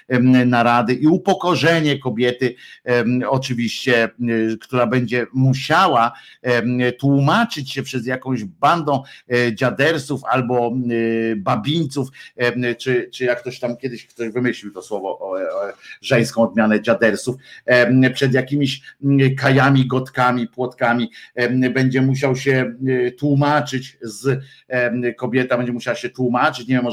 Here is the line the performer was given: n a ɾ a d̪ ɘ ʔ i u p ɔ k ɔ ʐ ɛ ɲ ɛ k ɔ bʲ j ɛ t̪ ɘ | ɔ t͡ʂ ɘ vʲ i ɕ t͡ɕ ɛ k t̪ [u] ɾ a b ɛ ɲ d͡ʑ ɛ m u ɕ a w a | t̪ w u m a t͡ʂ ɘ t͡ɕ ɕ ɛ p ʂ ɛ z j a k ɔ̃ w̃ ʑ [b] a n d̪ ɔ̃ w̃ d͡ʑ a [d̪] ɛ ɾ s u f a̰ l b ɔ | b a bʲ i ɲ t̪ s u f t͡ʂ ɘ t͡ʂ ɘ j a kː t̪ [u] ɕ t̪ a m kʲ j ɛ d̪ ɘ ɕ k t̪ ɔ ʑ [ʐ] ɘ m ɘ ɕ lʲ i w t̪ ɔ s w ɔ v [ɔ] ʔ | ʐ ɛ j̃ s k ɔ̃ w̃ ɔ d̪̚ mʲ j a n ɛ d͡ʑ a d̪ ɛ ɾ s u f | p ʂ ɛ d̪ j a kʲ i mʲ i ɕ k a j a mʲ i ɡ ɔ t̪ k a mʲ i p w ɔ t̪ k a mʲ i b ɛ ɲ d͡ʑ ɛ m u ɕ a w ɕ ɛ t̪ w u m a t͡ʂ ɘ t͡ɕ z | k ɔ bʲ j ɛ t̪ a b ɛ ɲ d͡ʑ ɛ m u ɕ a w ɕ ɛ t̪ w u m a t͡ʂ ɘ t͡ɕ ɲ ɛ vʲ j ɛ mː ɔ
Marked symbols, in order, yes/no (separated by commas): yes, yes, yes, no, no, yes